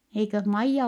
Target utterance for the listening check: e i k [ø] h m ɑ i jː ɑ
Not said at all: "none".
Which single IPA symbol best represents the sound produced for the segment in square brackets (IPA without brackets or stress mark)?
ø